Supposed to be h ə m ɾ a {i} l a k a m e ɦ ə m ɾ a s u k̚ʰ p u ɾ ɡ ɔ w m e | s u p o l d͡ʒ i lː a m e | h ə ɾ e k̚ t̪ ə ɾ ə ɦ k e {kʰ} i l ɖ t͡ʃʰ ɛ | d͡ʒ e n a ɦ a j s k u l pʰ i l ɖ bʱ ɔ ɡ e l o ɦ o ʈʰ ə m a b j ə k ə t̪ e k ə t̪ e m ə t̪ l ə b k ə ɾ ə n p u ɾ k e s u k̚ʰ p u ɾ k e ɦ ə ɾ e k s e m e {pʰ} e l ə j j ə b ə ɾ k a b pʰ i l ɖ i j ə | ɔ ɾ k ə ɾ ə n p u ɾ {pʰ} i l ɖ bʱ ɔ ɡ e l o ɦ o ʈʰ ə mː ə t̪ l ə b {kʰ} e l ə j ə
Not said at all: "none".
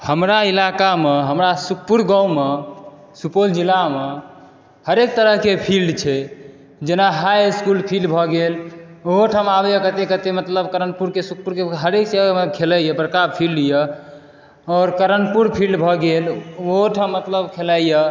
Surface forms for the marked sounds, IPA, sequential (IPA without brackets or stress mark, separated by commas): i, pʰ, kʰ, pʰ, kʰ